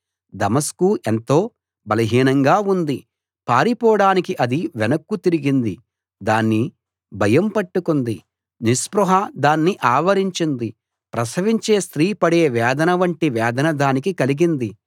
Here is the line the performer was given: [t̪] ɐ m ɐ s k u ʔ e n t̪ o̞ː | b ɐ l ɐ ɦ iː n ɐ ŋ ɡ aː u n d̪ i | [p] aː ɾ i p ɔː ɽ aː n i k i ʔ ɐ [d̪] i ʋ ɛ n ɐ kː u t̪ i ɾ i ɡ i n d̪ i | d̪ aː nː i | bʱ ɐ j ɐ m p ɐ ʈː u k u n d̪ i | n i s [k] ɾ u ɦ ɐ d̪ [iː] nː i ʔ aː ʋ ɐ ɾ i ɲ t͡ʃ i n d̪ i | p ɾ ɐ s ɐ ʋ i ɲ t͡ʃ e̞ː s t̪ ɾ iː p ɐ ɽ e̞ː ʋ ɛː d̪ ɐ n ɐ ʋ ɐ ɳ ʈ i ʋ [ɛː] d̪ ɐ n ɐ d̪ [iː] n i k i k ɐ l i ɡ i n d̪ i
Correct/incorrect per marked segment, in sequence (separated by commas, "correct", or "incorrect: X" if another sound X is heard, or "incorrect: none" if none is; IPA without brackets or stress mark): incorrect: d̪, correct, correct, incorrect: p, incorrect: aː, correct, incorrect: aː